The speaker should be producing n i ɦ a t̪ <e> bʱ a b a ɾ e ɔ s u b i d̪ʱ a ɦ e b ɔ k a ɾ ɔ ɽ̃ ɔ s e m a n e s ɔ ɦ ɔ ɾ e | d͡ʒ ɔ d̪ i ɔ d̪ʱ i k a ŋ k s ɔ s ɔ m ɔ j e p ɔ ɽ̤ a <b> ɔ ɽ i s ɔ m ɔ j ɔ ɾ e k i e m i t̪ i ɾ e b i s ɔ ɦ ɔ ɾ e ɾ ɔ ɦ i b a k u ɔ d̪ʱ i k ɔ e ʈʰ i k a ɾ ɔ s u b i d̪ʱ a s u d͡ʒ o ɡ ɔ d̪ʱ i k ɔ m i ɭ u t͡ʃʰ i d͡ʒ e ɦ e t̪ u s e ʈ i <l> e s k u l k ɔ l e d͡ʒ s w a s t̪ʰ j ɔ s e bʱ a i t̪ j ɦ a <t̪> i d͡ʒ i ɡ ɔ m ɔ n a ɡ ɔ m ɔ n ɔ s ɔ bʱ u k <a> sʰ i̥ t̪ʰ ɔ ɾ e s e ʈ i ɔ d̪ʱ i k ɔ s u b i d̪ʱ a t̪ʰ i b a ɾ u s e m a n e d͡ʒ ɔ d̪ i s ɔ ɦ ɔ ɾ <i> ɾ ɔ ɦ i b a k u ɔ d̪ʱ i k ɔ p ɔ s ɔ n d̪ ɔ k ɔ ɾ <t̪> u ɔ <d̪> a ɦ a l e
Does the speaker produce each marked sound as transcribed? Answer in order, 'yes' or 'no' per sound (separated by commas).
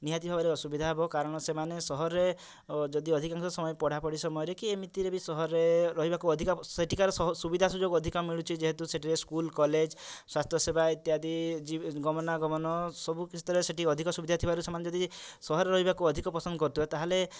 no, no, no, no, no, no, yes, no